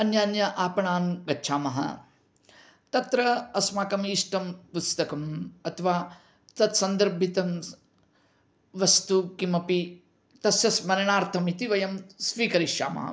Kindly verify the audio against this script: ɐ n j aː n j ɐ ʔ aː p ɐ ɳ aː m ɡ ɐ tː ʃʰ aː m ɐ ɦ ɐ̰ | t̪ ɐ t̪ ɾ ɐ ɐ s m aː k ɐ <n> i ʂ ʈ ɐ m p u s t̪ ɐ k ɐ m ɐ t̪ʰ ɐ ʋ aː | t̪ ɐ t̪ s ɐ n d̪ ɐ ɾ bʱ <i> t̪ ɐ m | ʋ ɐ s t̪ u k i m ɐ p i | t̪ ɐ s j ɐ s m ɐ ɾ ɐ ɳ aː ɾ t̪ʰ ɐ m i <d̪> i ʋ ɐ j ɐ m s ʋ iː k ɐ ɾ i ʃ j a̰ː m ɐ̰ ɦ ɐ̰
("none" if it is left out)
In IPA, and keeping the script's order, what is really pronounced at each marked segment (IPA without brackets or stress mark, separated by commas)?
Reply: m, i, t̪